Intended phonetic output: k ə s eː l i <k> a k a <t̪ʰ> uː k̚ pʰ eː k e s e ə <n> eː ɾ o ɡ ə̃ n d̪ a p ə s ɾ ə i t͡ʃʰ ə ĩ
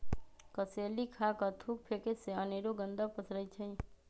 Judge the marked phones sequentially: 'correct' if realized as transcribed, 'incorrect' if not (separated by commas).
incorrect, correct, correct